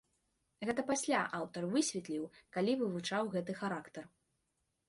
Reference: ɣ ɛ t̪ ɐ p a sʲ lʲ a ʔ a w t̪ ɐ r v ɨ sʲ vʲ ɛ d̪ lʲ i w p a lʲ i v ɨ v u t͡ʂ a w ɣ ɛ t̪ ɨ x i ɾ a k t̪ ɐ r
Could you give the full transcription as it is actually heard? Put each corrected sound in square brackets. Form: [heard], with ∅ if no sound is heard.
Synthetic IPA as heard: ɣ ɛ t̪ ɐ p a sʲ lʲ a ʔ a w t̪ ɐ r v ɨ sʲ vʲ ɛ [t̪] lʲ i w [k] a lʲ i v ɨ v u t͡ʂ a w ɣ ɛ t̪ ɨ x [a] ɾ a k t̪ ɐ r

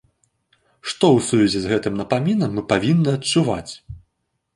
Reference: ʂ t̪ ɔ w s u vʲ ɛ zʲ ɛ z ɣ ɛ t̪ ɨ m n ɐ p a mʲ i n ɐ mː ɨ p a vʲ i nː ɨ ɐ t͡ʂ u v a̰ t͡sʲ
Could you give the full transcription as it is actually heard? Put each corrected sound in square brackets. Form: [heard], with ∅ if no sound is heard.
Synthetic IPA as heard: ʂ t̪ ɔ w s u vʲ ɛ zʲ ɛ z ɣ ɛ t̪ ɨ m n ɐ p a mʲ i n ɐ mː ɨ p a vʲ i nː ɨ ɐ t͡ʂ u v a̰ t͡sʲ

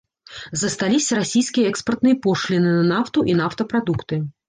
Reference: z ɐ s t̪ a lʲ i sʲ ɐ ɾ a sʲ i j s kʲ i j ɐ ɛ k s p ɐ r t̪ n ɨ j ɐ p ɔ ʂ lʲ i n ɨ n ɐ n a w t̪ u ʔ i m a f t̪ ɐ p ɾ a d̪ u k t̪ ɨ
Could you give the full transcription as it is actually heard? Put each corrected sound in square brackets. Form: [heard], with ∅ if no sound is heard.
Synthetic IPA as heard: z ɐ s t̪ a lʲ i sʲ ɐ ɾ a sʲ i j s kʲ i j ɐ ɛ k s p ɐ r t̪ n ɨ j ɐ p ɔ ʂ lʲ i n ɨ n ɐ n a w t̪ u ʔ i [n] a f t̪ ɐ p ɾ a d̪ u k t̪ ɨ

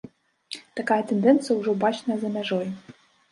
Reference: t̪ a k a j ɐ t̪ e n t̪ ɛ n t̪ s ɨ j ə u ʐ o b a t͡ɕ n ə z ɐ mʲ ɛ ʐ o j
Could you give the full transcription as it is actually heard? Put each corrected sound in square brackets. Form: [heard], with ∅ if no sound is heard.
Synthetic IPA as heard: t̪ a k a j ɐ t̪ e n [d̪] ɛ n t̪ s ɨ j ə u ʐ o b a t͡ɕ n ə z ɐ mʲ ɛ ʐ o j

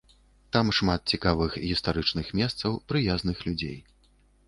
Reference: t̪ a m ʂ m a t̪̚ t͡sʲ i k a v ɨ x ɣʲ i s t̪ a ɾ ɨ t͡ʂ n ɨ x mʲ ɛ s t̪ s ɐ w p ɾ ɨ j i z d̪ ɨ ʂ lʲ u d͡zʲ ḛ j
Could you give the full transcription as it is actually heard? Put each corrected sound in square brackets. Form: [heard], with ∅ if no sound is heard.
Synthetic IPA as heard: t̪ a m ʂ m a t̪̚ t͡sʲ i k a v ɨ x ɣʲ i s t̪ a ɾ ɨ t͡ʂ n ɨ x mʲ ɛ s t̪ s ɐ w p ɾ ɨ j [a] z [n̪] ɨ [x] lʲ u d͡zʲ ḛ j

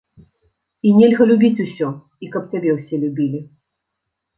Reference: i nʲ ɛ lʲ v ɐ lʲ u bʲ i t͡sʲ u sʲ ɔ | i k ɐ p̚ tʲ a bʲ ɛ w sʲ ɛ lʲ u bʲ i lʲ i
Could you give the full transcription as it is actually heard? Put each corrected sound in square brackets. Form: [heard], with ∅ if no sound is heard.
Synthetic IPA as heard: i nʲ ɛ lʲ [ɣ] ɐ lʲ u bʲ i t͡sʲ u sʲ ɔ | i k ɐ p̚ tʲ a bʲ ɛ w sʲ ɛ lʲ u bʲ i lʲ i

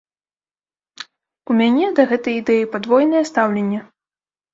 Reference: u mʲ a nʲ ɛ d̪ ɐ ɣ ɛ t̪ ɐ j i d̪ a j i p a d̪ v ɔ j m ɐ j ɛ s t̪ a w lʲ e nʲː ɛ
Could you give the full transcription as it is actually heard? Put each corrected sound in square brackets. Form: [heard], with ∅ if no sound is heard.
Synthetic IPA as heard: u mʲ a nʲ ɛ d̪ ɐ ɣ ɛ t̪ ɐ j i d̪ [ɛ] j i p a d̪ v ɔ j [n] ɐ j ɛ s t̪ a w lʲ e nʲː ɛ

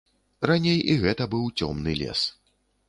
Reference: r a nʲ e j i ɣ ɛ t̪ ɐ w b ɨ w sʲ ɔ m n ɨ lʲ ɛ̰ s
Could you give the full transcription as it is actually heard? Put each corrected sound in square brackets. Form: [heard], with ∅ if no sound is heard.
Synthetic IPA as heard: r a nʲ e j i ɣ ɛ t̪ ɐ [∅] b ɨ w [t͡sʲ] ɔ m n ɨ lʲ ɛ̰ s

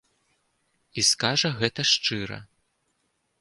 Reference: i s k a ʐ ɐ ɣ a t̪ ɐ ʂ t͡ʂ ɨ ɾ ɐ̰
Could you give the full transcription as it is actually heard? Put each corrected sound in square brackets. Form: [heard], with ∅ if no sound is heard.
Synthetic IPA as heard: i s k a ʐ ɐ ɣ [ɛ] t̪ ɐ ʂ t͡ʂ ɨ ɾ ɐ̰

